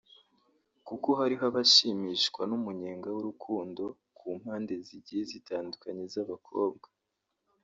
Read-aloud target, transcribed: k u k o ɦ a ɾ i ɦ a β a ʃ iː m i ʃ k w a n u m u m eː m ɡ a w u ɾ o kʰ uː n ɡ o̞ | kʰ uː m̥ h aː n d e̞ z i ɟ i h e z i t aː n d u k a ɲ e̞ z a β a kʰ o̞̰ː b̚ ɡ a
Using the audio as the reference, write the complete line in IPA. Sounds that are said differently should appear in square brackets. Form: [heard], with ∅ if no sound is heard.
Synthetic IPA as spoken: k u k o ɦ a ɾ i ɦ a β a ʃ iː m i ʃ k w a n u m u [ɲ] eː [ŋ] ɡ a w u ɾ [u] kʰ uː n [d] o̞ | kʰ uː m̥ h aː n d e̞ z i ɟ i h e z i t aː n d u k a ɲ e̞ z a β a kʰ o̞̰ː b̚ ɡ a